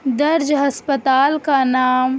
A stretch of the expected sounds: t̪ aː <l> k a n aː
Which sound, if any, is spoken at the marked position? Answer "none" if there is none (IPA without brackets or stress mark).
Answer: l